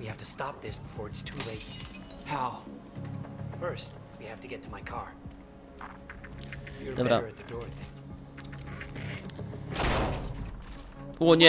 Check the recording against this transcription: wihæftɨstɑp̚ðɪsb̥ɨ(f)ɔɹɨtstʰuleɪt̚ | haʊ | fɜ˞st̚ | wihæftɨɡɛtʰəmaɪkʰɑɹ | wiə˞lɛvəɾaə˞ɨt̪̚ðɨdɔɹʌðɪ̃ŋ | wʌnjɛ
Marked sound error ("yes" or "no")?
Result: no